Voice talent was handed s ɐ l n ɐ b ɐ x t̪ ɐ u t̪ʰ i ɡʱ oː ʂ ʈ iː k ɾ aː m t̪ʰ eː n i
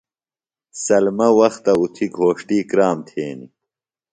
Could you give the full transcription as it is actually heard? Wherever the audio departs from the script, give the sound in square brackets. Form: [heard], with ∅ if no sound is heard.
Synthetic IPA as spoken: s ɐ l [m] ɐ [w] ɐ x t̪ ɐ u t̪ʰ i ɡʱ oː ʂ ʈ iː k ɾ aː m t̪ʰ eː n i